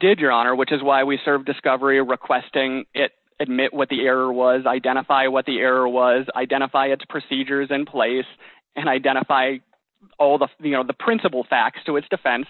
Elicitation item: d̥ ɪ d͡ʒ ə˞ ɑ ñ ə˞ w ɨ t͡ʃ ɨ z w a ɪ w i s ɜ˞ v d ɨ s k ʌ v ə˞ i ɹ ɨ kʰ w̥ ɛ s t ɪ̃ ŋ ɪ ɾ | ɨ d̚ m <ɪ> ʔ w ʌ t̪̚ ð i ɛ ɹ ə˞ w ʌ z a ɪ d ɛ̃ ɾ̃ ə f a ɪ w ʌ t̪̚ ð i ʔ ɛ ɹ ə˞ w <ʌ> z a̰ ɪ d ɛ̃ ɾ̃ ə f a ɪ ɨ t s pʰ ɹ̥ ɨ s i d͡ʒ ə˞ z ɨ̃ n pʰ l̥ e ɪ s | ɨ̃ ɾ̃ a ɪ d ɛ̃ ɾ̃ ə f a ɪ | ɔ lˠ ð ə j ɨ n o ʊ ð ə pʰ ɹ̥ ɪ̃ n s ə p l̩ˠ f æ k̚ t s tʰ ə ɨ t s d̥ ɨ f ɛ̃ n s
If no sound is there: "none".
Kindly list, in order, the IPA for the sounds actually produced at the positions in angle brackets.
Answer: ɪ, ʌ

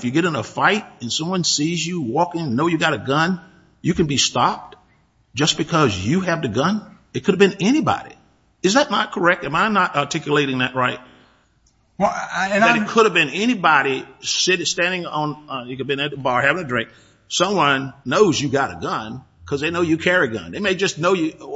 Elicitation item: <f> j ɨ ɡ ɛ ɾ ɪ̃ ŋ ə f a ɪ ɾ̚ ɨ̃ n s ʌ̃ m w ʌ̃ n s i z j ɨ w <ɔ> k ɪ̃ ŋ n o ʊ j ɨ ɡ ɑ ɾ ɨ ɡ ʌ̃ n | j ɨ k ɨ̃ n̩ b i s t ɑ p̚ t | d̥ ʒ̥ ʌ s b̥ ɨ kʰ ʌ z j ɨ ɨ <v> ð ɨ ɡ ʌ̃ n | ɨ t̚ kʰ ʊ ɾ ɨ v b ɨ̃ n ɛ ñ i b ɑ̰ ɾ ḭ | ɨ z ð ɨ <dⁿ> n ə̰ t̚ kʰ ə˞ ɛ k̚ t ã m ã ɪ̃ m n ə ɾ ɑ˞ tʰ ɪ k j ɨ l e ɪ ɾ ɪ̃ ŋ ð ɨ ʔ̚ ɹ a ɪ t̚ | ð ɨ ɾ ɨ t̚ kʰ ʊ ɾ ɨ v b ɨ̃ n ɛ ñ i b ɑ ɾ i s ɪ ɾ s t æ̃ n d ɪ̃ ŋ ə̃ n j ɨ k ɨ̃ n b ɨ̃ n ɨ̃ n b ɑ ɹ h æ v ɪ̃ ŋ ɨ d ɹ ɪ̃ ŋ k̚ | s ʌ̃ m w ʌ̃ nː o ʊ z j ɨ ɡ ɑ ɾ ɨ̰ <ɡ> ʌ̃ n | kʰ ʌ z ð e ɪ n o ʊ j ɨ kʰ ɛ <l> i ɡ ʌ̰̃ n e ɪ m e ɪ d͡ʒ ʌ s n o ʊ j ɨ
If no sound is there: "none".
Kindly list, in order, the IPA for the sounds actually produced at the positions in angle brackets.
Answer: f, ɔ, v, tⁿ, ɡ, ɹ

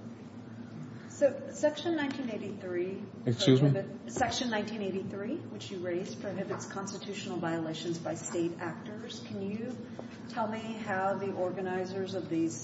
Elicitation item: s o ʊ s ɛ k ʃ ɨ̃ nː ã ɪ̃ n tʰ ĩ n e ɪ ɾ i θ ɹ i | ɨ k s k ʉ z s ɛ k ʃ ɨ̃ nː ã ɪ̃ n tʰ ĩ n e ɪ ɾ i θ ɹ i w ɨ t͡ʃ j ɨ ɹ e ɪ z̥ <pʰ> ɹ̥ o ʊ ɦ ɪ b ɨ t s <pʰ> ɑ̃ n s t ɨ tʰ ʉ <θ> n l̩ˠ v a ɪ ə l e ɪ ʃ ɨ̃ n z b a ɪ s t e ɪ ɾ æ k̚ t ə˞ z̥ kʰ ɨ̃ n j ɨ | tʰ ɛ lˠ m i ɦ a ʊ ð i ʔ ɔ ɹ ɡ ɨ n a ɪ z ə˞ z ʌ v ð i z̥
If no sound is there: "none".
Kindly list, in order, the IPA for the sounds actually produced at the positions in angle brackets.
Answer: pʰ, kʰ, ʃ

